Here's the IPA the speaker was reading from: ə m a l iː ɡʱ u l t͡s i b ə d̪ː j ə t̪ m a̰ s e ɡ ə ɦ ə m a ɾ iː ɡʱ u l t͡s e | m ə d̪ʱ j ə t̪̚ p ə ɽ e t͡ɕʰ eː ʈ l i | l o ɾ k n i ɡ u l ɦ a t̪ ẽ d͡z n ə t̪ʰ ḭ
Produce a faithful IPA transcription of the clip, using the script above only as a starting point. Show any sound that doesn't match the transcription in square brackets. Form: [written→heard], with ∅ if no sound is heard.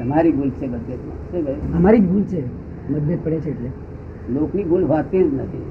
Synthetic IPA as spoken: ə m a [l→ɾ] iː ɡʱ u l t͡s [i→e] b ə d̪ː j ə t̪ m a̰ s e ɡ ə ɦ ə m a ɾ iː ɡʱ u l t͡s e | m ə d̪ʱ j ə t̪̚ p ə ɽ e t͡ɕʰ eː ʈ l [i→e] | l o [ɾ→∅] k n i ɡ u l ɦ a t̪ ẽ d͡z n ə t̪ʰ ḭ